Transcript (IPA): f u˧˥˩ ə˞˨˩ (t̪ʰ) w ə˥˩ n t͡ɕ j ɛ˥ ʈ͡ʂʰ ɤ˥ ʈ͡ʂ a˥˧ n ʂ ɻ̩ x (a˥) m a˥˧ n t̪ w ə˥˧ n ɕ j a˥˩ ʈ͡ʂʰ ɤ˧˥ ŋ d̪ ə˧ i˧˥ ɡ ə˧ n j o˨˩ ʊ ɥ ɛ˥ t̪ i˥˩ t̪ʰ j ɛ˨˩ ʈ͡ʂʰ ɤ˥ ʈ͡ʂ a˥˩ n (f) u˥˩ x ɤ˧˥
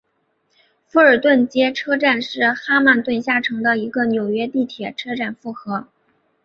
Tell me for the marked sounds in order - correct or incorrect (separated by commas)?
incorrect, correct, correct